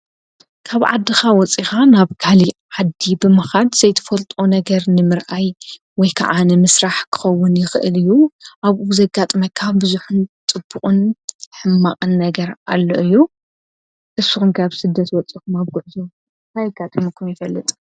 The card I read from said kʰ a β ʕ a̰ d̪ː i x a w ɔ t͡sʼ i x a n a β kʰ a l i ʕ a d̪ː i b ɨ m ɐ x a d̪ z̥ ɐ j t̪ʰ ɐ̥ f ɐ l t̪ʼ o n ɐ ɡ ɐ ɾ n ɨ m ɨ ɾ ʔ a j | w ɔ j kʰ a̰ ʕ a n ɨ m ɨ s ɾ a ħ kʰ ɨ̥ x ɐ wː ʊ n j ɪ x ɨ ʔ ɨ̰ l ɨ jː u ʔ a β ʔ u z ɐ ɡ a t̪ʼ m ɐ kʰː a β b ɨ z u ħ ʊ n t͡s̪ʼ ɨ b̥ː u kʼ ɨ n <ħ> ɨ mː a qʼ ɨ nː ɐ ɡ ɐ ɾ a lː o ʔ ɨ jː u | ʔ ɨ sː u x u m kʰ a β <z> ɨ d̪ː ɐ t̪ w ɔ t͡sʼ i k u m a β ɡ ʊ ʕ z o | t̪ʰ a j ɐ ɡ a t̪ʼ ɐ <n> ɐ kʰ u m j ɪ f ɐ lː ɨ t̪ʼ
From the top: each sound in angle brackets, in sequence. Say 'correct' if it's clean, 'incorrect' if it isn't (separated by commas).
correct, incorrect, incorrect